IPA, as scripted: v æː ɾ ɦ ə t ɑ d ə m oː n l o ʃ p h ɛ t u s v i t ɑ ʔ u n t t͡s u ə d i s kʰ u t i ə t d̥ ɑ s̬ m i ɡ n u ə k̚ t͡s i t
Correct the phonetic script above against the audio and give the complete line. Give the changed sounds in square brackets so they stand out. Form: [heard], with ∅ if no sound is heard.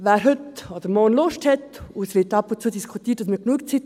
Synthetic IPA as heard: v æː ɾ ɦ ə t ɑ d ə m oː n l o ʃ [t] h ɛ t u s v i t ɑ [p] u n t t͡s u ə d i s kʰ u t i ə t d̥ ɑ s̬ m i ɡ n u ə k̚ t͡s i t